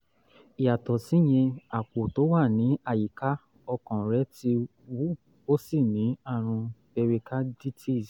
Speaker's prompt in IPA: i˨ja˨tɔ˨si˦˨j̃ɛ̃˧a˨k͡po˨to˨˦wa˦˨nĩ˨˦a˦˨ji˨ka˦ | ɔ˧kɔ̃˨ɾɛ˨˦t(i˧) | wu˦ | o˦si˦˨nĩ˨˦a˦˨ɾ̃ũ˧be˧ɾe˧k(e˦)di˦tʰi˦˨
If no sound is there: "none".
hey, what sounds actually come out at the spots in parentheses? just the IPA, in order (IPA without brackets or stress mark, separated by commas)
i˧, a˦